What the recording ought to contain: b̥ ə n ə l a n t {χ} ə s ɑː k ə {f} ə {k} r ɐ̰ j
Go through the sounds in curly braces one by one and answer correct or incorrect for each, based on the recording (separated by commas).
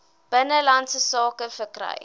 incorrect, correct, correct